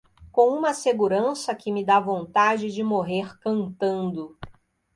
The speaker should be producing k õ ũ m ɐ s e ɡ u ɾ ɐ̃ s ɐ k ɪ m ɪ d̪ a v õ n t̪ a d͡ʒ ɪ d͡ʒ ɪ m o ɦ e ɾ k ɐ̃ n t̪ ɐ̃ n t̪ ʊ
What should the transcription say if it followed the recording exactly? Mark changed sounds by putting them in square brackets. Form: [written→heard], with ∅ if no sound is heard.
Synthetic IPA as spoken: k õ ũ m ɐ s e ɡ u ɾ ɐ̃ s ɐ k ɪ m ɪ d̪ a v õ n t̪ a d͡ʒ ɪ d͡ʒ ɪ m o ɦ e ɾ k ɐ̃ n t̪ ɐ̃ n [t̪→d̪] ʊ